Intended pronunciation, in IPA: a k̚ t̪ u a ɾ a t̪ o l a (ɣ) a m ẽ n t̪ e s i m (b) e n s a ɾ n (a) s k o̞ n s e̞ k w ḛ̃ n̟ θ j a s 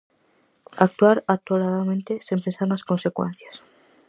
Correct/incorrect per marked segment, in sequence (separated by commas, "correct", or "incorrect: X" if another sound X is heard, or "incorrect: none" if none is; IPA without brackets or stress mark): incorrect: ð, incorrect: p, correct